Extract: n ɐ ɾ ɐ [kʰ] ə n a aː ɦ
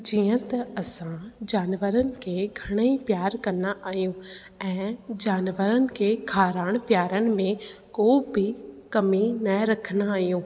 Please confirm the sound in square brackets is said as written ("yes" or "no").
yes